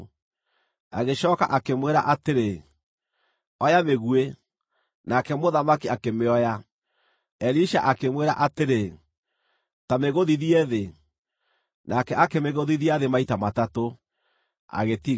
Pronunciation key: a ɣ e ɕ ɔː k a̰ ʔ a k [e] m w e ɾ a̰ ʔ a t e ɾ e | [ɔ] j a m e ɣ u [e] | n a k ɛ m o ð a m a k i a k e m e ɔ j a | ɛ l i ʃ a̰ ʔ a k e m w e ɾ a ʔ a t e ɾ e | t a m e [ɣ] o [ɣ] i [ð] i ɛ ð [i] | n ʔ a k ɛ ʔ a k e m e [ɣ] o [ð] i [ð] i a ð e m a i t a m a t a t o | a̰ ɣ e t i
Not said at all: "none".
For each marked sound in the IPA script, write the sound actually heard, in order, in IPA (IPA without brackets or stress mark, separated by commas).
e, ɔ, e, ɣ, ð, ð, e, ɣ, ð, ð